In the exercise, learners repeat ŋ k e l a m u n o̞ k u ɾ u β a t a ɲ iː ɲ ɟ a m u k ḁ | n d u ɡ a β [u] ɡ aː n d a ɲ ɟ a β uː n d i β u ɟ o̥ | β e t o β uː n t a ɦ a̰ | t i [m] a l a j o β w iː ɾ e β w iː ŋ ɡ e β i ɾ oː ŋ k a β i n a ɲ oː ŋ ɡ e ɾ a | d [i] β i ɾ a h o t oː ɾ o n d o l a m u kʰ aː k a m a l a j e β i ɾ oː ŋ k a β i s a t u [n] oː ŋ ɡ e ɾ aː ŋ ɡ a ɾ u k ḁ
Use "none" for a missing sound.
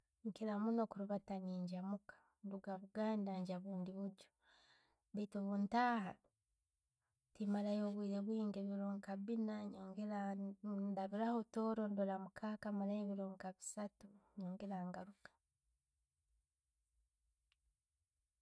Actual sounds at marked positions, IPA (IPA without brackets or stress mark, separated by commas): u, m, a, ɲ